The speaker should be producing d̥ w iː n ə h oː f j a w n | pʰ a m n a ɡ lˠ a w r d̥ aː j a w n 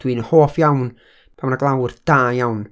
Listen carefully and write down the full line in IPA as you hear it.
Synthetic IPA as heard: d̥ w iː n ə h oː f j a w n | pʰ a m n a ɡ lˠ a w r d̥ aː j a w n